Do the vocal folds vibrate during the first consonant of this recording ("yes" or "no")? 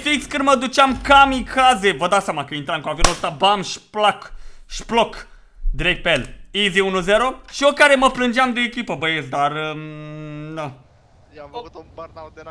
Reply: no